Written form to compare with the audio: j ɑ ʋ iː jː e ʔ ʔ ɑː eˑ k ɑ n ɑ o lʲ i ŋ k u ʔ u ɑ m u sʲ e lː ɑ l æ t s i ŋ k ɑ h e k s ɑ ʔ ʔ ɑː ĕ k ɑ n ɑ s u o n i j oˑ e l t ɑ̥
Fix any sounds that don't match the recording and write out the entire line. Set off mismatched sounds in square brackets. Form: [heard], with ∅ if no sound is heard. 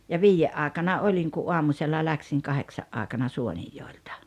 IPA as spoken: j ɑ ʋ iː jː e ʔ ʔ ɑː eˑ k ɑ n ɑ o lʲ i ŋ k u ʔ u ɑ m u sʲ e lː ɑ l æ [k] s i ŋ k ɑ h e k s ɑ ʔ ʔ ɑː ĕ k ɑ n ɑ s u o n i [jː] oˑ e l t ɑ̥